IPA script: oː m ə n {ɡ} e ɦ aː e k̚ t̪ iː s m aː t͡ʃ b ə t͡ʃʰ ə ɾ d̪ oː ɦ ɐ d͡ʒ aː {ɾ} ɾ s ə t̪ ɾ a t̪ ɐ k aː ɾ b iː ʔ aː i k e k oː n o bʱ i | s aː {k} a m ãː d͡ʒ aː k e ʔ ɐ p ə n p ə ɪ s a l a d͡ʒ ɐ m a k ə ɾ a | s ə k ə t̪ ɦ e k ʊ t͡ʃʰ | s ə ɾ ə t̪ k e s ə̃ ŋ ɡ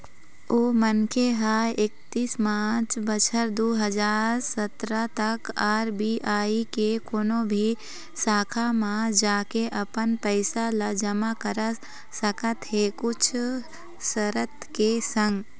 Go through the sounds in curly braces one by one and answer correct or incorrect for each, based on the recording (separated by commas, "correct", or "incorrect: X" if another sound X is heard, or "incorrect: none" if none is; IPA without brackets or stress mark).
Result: incorrect: k, correct, incorrect: kʰ